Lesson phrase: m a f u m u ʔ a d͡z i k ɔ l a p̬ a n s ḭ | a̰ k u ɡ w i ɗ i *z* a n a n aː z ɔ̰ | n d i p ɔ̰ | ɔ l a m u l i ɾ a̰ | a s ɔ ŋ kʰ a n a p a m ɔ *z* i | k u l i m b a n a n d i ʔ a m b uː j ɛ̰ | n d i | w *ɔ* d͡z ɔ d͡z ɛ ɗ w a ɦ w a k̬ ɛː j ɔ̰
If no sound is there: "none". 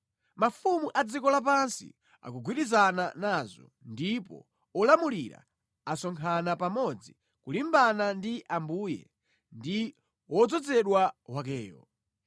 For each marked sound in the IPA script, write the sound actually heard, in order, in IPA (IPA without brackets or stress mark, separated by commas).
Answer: z, d͡z, ɔ